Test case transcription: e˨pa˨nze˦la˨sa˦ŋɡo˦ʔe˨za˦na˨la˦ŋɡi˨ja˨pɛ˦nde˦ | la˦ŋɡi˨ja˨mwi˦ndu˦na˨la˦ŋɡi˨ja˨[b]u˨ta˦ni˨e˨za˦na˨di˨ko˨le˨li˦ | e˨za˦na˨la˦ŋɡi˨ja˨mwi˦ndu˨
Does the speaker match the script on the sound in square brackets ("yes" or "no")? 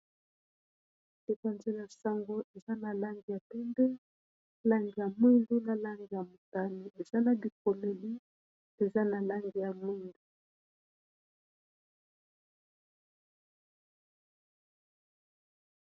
no